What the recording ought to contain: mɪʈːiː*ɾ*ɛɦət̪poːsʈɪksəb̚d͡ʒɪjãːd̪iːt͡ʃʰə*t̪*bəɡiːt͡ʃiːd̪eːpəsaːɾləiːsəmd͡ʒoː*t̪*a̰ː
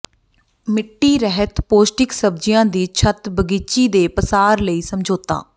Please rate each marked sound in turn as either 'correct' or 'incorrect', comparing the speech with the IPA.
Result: correct, correct, correct

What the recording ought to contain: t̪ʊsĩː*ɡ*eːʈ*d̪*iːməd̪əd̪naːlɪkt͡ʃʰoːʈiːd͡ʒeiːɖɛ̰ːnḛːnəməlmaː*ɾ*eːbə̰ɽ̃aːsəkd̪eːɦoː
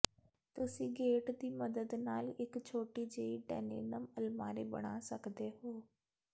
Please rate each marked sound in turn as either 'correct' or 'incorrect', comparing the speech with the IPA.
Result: correct, correct, correct

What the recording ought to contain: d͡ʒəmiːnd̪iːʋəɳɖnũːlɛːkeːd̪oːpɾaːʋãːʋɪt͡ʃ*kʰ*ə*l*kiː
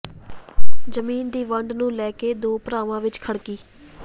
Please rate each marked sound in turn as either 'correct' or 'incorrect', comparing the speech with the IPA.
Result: correct, incorrect

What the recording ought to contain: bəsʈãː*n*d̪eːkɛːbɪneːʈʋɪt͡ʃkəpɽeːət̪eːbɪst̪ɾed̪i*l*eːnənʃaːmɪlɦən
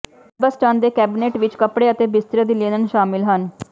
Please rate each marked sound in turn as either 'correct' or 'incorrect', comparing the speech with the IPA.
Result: correct, correct

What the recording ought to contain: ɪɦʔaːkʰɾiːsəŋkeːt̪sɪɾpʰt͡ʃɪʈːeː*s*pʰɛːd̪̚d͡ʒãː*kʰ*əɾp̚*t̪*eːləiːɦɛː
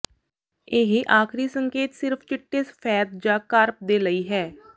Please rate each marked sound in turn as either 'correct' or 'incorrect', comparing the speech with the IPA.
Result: correct, incorrect, incorrect

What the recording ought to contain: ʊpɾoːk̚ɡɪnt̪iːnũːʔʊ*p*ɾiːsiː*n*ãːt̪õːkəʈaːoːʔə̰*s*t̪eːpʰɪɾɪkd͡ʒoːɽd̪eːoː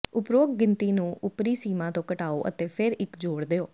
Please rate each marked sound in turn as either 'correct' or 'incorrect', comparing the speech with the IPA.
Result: correct, incorrect, incorrect

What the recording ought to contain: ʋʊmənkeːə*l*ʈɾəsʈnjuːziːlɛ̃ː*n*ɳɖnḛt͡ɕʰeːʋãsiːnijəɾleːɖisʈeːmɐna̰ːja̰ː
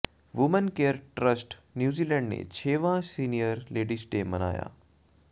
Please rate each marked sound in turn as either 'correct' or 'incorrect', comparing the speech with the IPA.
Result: incorrect, incorrect

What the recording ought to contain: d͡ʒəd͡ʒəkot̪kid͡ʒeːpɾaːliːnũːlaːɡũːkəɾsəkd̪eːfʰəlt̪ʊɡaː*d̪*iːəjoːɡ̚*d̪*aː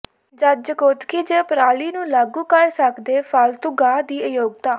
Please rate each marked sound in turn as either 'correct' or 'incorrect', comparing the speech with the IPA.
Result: correct, incorrect

